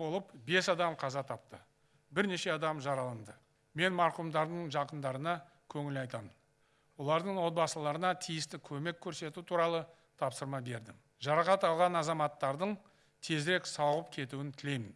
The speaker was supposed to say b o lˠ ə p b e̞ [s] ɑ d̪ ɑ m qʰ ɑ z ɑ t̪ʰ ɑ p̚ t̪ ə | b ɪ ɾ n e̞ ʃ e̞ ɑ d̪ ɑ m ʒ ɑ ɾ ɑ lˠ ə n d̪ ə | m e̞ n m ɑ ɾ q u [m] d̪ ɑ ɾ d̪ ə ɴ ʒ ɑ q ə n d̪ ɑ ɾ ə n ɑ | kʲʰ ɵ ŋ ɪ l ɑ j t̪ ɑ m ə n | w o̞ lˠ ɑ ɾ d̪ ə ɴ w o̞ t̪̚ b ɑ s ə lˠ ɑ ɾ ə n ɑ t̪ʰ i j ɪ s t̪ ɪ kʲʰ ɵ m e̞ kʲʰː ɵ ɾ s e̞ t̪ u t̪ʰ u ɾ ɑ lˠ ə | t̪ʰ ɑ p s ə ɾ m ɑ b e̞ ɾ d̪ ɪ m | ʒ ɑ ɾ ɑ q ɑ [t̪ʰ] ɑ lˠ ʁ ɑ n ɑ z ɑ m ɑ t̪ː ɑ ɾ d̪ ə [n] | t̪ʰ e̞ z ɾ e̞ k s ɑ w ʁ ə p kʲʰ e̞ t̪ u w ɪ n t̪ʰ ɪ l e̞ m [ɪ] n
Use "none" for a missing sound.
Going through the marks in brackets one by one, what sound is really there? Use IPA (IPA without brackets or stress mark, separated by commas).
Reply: s, m, t̪, ɴ, ɪ